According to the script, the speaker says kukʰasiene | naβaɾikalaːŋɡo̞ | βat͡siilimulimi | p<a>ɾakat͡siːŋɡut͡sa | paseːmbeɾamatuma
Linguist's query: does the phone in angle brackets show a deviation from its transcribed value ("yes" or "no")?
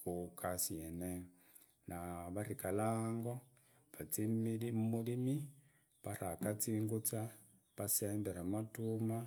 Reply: no